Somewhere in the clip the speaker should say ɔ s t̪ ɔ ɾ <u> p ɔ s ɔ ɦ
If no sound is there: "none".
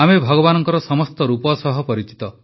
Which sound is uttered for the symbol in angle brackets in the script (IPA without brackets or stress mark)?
u